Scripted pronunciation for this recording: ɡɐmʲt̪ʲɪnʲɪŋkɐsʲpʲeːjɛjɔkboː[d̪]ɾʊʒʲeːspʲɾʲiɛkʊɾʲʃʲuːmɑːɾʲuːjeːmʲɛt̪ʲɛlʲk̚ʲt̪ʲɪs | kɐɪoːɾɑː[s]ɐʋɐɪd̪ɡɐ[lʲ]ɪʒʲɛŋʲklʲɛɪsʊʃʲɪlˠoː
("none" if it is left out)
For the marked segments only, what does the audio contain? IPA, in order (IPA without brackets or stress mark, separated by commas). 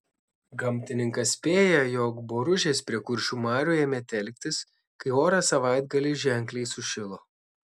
none, s, lʲ